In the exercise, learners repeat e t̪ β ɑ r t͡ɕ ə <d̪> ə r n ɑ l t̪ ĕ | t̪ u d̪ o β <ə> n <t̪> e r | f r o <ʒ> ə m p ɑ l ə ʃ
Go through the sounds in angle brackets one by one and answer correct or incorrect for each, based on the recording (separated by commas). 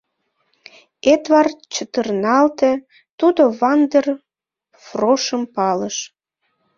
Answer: incorrect, incorrect, incorrect, incorrect